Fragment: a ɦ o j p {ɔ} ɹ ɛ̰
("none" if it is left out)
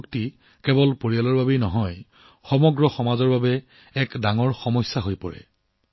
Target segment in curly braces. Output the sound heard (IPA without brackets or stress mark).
ɔ